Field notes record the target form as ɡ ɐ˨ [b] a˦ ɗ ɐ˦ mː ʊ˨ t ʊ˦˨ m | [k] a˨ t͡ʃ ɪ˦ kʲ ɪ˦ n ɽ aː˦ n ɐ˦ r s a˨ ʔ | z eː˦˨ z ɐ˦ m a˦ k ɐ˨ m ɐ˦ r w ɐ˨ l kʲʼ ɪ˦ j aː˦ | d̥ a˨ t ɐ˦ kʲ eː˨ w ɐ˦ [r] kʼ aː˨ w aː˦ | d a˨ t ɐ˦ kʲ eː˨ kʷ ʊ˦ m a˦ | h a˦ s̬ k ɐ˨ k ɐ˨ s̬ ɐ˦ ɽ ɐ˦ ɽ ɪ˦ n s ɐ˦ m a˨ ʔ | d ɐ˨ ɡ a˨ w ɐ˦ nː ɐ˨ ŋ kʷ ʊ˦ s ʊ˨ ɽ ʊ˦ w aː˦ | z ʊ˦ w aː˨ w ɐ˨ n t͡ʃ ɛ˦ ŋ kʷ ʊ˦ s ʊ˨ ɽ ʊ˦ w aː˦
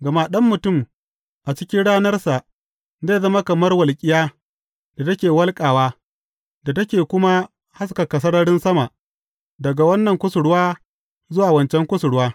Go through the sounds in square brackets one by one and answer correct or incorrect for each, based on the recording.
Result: incorrect: m, incorrect: ʔ, incorrect: l

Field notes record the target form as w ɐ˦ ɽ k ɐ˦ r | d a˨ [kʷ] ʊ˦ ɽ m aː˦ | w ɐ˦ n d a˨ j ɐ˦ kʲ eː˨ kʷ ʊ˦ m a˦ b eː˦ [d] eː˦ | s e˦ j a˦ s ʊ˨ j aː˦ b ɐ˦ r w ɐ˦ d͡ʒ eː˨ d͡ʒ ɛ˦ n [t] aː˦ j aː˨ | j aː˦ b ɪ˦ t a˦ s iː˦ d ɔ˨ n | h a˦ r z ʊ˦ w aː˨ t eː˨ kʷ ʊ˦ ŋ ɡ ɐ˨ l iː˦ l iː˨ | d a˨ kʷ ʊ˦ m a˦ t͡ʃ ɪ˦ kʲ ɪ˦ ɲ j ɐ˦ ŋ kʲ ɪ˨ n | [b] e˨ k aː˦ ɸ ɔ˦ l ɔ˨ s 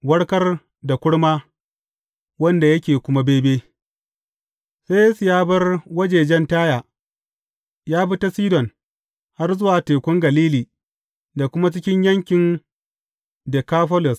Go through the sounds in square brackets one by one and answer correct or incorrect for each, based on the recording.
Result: correct, incorrect: b, correct, incorrect: d

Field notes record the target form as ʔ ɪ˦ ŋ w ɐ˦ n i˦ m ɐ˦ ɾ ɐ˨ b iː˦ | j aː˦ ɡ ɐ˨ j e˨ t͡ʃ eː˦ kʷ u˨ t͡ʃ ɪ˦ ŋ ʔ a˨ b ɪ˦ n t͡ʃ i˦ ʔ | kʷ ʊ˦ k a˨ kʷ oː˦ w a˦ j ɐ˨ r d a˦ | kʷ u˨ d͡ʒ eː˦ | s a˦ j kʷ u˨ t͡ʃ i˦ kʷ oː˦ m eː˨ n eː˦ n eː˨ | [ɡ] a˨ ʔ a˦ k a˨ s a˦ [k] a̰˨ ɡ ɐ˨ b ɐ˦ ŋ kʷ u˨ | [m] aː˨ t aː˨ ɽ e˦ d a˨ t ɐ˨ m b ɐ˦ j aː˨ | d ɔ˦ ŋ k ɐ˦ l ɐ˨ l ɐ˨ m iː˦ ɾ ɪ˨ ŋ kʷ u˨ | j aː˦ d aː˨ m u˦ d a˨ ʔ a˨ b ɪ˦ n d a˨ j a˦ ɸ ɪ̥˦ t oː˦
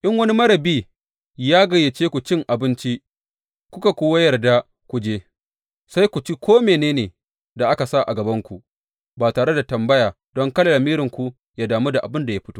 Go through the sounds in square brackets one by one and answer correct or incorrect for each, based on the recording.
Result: incorrect: d, incorrect: ʔ, incorrect: b

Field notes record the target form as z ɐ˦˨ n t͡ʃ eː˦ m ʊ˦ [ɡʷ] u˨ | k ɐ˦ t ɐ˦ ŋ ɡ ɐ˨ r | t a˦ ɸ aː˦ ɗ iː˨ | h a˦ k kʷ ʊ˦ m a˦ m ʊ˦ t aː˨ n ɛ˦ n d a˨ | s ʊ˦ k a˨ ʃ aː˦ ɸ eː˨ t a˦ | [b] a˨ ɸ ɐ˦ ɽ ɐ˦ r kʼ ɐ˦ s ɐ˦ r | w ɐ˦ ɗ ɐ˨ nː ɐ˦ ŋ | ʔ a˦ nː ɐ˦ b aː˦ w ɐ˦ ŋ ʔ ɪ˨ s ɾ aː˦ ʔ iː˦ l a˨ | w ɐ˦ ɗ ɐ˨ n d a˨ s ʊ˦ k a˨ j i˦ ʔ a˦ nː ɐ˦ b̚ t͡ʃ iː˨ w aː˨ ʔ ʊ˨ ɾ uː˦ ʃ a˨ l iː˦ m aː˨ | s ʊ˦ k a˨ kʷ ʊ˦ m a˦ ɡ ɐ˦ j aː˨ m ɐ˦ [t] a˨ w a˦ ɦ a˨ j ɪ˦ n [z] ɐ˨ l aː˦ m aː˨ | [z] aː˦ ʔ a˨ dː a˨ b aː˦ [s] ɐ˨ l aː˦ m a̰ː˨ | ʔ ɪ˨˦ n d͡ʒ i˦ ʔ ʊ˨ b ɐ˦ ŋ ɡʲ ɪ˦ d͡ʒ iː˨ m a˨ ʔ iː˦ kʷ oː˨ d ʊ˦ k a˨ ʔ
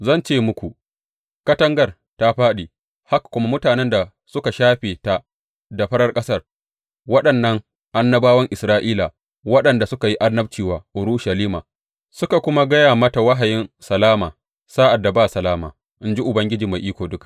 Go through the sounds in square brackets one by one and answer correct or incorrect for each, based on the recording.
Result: incorrect: kʷ, incorrect: d, correct, incorrect: s, incorrect: s, correct

